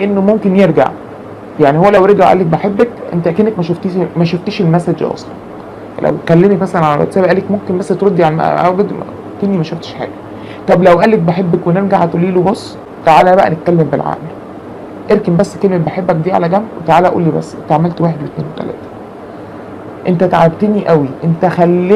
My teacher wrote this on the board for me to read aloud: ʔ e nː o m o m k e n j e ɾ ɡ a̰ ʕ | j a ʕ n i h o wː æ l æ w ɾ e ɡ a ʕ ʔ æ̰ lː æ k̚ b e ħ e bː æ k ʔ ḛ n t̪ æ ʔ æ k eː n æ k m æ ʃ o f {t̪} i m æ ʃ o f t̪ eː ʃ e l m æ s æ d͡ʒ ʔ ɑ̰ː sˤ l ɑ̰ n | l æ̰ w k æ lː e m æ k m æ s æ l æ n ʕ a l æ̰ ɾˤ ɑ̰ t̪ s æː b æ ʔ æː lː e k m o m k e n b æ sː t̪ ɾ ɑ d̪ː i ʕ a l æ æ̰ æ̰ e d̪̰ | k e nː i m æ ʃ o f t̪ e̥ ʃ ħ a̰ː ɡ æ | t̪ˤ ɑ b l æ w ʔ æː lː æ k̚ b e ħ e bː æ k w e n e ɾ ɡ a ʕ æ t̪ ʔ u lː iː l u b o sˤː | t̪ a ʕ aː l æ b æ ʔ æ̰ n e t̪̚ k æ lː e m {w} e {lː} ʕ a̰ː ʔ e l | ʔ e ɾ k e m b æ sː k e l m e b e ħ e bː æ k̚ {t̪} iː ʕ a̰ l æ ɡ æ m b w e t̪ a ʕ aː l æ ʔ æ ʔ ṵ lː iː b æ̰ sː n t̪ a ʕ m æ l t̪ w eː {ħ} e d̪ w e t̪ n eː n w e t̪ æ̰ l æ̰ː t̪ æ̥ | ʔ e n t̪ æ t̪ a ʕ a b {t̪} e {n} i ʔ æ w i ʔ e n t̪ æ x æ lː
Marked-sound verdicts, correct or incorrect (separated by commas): correct, incorrect, incorrect, incorrect, correct, correct, correct